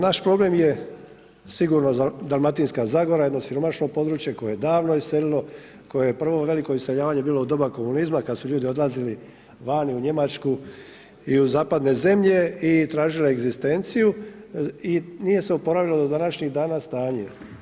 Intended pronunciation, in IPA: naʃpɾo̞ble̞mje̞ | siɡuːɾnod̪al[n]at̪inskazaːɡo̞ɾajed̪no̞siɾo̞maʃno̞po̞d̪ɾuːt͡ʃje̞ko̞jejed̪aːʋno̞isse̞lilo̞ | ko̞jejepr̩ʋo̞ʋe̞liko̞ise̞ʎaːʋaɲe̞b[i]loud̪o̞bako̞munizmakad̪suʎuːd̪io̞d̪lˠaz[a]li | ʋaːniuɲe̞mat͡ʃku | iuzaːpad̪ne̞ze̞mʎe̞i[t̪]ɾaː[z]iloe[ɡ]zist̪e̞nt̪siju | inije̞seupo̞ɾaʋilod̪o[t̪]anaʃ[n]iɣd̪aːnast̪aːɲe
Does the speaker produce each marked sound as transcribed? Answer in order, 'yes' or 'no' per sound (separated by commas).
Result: no, no, no, yes, no, yes, no, no